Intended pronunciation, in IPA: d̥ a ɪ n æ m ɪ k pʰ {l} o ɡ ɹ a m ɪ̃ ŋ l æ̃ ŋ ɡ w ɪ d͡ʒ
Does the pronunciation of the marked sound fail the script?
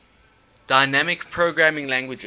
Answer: yes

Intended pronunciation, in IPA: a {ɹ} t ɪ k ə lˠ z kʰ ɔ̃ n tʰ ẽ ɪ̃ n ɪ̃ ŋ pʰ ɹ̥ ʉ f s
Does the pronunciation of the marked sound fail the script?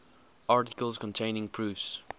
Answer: no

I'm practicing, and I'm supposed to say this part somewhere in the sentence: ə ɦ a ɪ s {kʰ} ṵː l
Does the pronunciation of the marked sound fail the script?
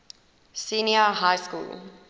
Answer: yes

